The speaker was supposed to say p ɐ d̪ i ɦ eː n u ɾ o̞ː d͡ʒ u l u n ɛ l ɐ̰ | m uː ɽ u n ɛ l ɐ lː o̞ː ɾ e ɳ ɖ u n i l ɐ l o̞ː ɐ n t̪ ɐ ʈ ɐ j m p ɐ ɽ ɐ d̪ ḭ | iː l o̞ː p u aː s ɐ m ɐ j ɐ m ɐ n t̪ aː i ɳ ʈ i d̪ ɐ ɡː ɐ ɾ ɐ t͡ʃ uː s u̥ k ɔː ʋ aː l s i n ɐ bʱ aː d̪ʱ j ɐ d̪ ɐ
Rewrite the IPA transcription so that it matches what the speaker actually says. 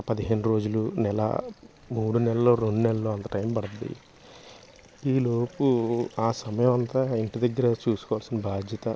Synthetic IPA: p ɐ d̪ i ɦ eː n u ɾ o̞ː d͡ʒ u l u n ɛ l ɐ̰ | m uː ɽ u n ɛ l ɐ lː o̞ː ɾ e ɳ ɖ u n ɛ l ɐ l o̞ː ɐ n t̪ ɐ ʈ ɐ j m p ɐ ɽ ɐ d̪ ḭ | iː l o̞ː p u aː s ɐ m ɐ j ɐ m ɐ n t̪ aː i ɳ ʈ i d̪ ɐ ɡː ɐ ɾ ɐ t͡ʃ uː s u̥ k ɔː ʋ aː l s i n ɐ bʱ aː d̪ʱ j ɐ t̪ ɐ

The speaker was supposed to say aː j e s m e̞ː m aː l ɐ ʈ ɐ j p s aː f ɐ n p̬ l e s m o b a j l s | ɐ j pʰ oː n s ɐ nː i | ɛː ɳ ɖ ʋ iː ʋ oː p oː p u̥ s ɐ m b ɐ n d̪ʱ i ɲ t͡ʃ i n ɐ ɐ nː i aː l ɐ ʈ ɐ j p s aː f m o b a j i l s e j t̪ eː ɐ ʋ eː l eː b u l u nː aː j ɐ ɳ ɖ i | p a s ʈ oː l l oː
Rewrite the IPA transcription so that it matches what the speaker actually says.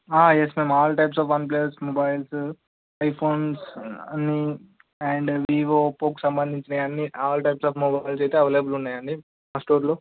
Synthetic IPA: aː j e s m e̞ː m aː l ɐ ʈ ɐ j p s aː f ɐ n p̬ l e s m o b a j l s | ɐ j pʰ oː n s ɐ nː i | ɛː ɳ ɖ ʋ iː ʋ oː p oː k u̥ s ɐ m b ɐ n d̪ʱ i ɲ t͡ʃ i n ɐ ɐ nː i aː l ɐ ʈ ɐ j p s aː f m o b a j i l s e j t̪ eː ɐ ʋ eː l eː b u l u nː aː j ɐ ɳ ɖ i | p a s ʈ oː ɾ l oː

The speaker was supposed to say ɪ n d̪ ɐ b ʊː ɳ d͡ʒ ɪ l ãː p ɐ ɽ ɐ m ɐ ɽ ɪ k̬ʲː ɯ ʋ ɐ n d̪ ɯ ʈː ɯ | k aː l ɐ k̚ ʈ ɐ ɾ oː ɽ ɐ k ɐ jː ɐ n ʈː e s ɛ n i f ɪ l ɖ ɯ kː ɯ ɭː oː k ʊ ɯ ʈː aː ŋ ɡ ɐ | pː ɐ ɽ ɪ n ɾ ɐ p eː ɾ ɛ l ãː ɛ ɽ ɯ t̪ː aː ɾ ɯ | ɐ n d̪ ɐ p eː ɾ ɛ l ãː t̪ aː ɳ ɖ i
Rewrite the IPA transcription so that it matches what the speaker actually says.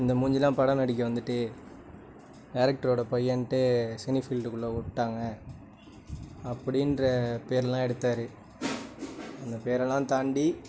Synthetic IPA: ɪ n d̪ ɐ m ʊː ɲ d͡ʒ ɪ l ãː p ɐ ɽ ɐ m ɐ ɽ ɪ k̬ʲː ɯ ʋ ɐ n d̪ ɯ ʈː ɯ | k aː ɾ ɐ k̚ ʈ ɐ ɾ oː ɽ ɐ p ɐ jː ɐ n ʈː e s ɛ n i f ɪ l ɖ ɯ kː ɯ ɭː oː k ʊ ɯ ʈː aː ŋ ɡ ɐ | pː ɐ ɽ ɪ n ɾ ɐ p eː ɾ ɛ l ãː ɛ ɽ ɯ t̪ː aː ɾ ɯ | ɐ n d̪ ɐ p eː ɾ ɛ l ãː t̪ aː ɳ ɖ i

